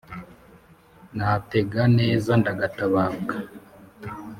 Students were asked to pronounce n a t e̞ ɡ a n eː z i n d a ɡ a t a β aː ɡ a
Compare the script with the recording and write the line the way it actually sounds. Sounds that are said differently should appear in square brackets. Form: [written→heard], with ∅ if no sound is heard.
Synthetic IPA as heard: n a t e̞ ɡ a n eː z [i→a] n d a ɡ a t a β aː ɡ a